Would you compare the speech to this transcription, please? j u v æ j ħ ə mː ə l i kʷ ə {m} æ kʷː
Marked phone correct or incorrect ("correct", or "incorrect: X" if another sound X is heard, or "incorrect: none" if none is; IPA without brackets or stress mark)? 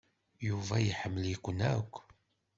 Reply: incorrect: n